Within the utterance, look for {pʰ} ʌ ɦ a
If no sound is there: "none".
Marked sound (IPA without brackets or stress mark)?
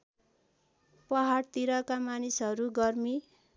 p